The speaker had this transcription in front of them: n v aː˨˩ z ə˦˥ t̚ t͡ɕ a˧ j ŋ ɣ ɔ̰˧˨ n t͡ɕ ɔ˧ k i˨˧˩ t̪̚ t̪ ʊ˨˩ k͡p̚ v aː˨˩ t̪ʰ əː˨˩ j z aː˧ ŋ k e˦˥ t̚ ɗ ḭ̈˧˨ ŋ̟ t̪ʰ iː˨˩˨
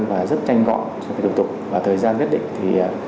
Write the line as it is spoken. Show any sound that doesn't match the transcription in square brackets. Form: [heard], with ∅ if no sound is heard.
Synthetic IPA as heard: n v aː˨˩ z ə˦˥ t̚ t͡ɕ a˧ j ŋ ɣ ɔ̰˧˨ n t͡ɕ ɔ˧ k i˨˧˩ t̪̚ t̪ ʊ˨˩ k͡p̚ v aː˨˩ t̪ʰ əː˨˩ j z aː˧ [n] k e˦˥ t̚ ɗ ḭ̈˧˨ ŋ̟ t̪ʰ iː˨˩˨

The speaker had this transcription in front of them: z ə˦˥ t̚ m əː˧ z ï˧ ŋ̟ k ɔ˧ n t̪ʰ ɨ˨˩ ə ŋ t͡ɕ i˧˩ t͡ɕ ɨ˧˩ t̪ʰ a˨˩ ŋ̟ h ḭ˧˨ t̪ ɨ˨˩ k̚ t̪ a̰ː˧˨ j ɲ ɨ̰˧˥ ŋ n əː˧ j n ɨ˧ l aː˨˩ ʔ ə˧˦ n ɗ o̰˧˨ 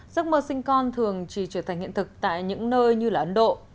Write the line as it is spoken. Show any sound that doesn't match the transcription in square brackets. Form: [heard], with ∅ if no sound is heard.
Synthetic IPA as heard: z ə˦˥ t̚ m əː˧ [s] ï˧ ŋ̟ k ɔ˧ n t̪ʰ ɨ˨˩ ə ŋ t͡ɕ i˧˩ t͡ɕ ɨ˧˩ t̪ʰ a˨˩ ŋ̟ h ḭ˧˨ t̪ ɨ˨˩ k̚ t̪ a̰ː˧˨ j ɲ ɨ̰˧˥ ŋ n əː˧ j [ɲ] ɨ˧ l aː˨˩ ʔ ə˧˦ n ɗ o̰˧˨

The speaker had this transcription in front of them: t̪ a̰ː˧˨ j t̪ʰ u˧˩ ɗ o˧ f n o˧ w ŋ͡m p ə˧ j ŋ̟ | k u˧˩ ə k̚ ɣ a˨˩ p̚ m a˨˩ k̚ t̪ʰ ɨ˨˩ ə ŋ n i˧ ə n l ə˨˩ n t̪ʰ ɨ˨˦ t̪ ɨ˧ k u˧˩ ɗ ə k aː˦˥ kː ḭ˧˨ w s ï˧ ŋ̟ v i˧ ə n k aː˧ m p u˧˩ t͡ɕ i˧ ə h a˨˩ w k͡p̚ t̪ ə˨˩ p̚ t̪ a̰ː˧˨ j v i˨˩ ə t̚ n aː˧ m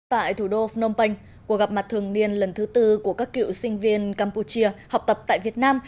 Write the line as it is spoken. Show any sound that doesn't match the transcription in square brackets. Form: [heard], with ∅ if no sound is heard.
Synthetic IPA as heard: t̪ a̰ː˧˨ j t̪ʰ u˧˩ ɗ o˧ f n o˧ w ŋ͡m p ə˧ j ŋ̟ | k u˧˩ ə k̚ ɣ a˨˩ p̚ m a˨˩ [t̚] t̪ʰ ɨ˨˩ ə ŋ n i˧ ə n l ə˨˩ n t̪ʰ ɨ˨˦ t̪ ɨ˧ k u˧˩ [∅] ə k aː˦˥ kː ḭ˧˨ w s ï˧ ŋ̟ v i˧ ə n k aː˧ m p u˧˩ t͡ɕ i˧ ə h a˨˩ w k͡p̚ t̪ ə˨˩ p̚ t̪ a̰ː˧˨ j v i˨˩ ə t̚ n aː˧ m

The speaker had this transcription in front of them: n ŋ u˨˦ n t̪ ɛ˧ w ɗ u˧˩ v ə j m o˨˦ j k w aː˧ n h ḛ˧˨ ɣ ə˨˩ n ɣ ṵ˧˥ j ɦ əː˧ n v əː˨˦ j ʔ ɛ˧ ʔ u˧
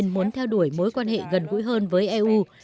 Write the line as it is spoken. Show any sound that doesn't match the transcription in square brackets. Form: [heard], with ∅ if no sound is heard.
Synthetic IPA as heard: n [m] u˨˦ n [t̪ʰ] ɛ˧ w ɗ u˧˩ [∅] ə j m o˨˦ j k w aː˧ n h ḛ˧˨ ɣ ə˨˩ n ɣ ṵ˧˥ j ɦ əː˧ n v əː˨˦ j ʔ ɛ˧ ʔ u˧

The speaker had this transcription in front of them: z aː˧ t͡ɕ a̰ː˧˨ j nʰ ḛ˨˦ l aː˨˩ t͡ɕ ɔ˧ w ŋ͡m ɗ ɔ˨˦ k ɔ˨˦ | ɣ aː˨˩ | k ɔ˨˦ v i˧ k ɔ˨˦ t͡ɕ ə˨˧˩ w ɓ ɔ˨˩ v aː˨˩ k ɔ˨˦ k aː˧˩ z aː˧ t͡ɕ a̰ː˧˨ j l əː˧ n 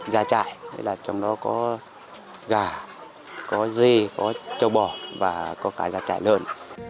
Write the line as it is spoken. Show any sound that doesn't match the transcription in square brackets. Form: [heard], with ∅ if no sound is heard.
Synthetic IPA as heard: z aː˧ t͡ɕ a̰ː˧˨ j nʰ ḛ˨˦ l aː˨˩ t͡ɕ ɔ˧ w ŋ͡m ɗ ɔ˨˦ k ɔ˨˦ | ɣ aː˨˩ | k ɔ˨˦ [z] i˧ k ɔ˨˦ t͡ɕ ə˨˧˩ w ɓ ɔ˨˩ v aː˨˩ k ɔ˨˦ k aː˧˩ z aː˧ t͡ɕ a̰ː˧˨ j l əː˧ n

